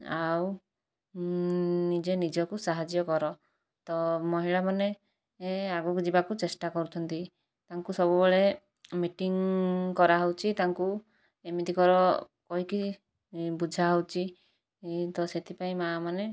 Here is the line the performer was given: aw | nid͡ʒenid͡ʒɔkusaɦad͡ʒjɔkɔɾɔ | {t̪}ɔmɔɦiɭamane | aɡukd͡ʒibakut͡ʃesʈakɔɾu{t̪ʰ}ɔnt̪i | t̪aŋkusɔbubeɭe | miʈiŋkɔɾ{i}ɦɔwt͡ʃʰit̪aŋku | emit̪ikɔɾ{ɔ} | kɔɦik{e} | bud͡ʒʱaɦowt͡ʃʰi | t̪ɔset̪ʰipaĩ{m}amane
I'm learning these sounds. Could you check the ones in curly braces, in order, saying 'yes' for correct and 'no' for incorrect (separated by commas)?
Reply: yes, yes, no, yes, no, yes